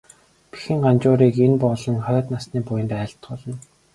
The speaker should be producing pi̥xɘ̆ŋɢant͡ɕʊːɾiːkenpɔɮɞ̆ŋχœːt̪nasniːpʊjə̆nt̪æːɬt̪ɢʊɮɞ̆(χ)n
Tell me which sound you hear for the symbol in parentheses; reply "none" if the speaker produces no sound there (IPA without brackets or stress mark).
none